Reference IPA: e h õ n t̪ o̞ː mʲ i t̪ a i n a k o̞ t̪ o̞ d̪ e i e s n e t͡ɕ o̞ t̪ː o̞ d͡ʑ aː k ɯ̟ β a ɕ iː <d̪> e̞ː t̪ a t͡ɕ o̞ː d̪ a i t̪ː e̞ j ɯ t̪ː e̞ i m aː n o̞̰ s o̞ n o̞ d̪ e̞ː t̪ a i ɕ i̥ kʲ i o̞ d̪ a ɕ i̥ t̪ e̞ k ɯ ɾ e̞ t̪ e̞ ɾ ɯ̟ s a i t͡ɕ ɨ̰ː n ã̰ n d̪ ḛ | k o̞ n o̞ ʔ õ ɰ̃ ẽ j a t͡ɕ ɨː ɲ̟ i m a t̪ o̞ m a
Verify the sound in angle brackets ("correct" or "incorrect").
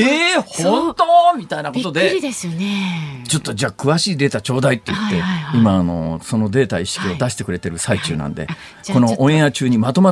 correct